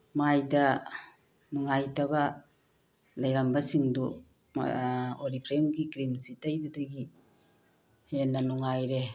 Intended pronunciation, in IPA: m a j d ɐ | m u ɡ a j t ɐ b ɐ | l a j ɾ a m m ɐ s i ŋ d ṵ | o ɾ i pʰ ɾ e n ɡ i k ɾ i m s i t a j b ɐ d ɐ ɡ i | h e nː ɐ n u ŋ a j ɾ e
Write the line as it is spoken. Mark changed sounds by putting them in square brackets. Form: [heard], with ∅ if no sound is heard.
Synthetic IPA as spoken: m a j d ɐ | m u [ŋ] a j t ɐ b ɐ | l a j ɾ a m [b] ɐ s i ŋ d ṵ | o ɾ i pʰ ɾ e [m] ɡ i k ɾ i m s i t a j b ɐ d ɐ ɡ i | h e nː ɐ n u ŋ a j ɾ e

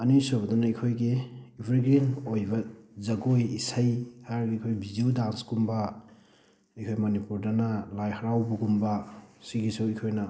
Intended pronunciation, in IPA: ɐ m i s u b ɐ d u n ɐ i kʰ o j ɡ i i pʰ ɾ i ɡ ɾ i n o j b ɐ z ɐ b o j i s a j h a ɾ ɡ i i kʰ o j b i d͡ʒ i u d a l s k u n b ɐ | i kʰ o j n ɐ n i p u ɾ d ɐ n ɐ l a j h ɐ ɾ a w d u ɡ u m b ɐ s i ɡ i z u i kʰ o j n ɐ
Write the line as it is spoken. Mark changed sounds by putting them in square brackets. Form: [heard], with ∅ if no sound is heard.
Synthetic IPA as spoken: ɐ [n] i s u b ɐ d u n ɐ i kʰ o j ɡ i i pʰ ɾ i ɡ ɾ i n o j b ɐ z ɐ [ɡ] o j i s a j h a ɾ ɡ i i kʰ o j b i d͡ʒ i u d a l s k u [m] b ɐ | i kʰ o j [m] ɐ n i p u ɾ d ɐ n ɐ l a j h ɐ ɾ a w [b] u ɡ u m b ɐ s i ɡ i [s] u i kʰ o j n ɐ

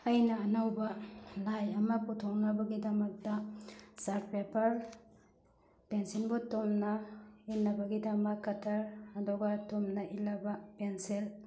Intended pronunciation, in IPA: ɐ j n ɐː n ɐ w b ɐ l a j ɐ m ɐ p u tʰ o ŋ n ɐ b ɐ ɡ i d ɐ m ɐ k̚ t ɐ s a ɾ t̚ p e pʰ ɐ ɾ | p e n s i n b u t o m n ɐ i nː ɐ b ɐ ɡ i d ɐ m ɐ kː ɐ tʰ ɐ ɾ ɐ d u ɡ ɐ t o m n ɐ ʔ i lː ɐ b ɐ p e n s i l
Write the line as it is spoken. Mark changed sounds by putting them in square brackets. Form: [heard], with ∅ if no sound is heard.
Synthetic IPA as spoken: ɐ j n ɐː n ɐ w b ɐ l a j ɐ m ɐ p u tʰ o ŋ n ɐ b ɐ ɡ i d ɐ m ɐ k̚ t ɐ s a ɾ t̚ p e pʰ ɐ ɾ | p e n s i n b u t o m n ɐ i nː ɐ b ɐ ɡ i d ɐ m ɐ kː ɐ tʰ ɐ ɾ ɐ d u ɡ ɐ t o m n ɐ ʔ i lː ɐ b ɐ p e n s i l

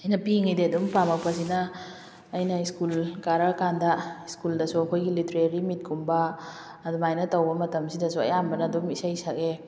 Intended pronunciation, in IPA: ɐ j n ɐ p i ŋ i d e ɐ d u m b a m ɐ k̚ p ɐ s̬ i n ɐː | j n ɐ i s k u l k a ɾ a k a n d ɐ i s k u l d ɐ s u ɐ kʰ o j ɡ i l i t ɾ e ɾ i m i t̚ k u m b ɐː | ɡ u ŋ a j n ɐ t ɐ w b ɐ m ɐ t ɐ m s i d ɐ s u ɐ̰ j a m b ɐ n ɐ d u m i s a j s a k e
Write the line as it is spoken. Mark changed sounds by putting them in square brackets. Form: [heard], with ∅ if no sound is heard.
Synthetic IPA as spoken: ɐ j n ɐ p i ŋ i d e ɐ d u m [p] a m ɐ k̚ p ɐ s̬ i n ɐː | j n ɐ i s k u l k a ɾ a k a n d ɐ i s k u l d ɐ s u ɐ kʰ o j ɡ i l i t ɾ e ɾ i m i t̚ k u m b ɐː | [d] u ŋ a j n ɐ t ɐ w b ɐ m ɐ t ɐ m s i d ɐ s u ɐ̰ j a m b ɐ n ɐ d u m i s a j s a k e

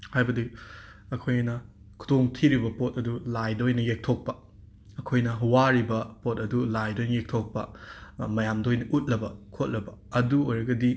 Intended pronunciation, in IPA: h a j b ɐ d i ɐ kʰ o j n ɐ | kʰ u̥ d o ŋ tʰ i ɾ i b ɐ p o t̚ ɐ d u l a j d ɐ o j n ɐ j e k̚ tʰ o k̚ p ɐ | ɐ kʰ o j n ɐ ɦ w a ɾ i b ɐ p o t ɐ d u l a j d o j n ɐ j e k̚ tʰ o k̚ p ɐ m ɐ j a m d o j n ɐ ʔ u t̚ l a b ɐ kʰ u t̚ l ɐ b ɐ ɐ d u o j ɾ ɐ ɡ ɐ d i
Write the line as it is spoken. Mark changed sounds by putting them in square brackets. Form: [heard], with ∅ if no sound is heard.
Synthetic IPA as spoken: h a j b ɐ d i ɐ kʰ o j n ɐ | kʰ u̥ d o ŋ tʰ i ɾ i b ɐ p o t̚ ɐ d u l a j d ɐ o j n ɐ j e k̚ tʰ o k̚ p ɐ | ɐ kʰ o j n ɐ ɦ w a ɾ i b ɐ p o t ɐ d u l a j d o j n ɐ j e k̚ tʰ o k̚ p ɐ m ɐ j a m d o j n ɐ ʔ u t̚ l [ɐ] b ɐ kʰ [o] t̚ l ɐ b ɐ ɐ d u o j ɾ ɐ ɡ ɐ d i

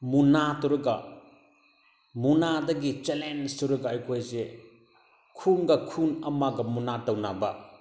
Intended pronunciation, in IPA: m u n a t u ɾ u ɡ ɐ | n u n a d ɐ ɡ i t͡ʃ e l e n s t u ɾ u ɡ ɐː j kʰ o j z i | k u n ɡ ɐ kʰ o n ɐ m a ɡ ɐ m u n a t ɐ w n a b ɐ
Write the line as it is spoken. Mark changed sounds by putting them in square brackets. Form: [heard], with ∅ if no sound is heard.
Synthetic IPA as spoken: m u n a t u ɾ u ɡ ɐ | [m] u n a d ɐ ɡ i t͡ʃ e l e n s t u ɾ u ɡ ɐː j kʰ o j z [e] | [kʰ] u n ɡ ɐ kʰ [u] n ɐ m a ɡ ɐ m u n a t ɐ w n a b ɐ

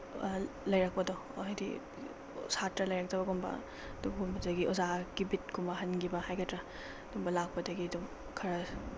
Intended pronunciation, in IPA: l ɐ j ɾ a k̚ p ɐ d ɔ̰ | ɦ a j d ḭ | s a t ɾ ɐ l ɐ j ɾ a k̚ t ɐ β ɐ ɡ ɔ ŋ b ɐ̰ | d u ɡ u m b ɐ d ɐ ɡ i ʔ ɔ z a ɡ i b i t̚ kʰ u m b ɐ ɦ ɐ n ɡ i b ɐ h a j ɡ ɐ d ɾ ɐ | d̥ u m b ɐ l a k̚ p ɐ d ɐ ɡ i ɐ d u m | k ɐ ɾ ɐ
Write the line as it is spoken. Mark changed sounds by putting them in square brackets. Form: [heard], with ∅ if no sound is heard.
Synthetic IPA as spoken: l ɐ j ɾ a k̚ p ɐ d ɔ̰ | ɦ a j d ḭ | s a t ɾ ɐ l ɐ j ɾ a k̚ t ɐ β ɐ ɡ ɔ [m] b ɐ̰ | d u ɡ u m b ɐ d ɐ ɡ i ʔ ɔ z a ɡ i b i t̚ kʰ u m b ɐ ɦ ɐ n ɡ i b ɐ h a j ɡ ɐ [t] ɾ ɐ | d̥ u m b ɐ l a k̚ p ɐ d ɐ ɡ i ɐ d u m | [kʰ] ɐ ɾ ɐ

